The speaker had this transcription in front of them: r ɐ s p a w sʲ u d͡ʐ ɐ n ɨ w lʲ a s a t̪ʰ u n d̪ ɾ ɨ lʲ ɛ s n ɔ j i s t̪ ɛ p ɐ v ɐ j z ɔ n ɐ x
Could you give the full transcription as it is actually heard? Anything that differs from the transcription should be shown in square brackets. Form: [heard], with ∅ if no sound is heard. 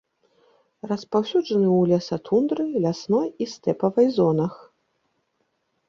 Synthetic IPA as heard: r ɐ s p a w sʲ u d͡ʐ ɐ n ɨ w lʲ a s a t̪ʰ u n d̪ ɾ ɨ lʲ [a] s n ɔ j i s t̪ ɛ p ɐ v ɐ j z ɔ n ɐ x